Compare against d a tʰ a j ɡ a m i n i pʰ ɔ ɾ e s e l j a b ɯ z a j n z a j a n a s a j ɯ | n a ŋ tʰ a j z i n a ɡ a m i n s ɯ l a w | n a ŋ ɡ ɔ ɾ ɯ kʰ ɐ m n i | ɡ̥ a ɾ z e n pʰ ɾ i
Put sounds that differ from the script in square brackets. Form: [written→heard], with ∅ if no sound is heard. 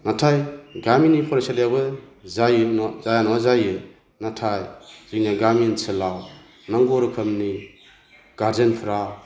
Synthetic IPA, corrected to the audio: [d→n] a tʰ a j ɡ a m i n i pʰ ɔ ɾ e s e l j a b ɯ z a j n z a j a n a [s→z] a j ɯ | n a [ŋ→∅] tʰ a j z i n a ɡ a m i n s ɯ l a w | n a ŋ ɡ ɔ ɾ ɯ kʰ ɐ m n i | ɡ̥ a ɾ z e n pʰ ɾ [i→a]